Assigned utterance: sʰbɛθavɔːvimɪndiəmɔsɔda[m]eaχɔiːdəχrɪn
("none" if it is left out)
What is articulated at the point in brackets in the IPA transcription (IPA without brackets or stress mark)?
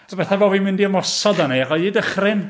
n